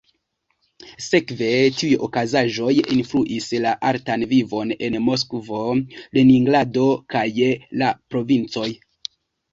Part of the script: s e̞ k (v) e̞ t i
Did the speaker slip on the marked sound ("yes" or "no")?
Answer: no